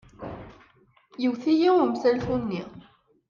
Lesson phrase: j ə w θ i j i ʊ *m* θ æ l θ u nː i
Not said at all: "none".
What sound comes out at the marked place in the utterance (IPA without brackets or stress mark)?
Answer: m